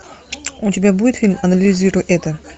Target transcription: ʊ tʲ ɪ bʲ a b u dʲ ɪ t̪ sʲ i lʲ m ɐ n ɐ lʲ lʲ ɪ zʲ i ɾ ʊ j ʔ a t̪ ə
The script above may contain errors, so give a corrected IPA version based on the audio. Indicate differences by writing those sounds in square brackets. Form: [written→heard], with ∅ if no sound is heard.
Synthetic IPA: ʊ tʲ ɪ bʲ a b u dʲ ɪ t̪ [sʲ→fʲ] i lʲ m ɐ n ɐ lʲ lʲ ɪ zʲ i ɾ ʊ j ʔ [a→ɛ] t̪ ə